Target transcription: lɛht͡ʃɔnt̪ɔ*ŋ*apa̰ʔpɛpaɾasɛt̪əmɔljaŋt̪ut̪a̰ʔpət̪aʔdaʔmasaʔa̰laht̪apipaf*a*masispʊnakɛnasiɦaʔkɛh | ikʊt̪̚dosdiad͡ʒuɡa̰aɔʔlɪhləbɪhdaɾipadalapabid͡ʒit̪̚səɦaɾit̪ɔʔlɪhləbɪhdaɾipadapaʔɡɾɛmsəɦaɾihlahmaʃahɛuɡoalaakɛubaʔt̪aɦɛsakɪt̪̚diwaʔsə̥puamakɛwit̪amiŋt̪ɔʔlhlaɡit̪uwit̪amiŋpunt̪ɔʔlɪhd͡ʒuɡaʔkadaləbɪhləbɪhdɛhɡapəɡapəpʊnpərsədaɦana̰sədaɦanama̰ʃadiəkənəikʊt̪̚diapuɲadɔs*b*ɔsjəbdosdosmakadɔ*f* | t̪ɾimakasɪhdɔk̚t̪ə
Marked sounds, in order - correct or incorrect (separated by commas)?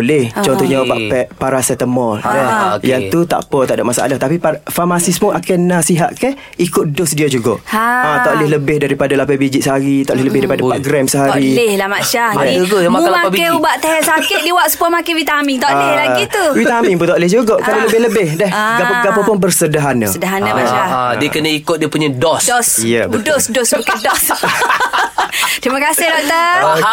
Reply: incorrect, correct, incorrect, incorrect